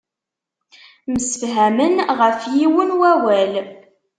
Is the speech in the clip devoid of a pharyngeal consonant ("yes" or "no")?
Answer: yes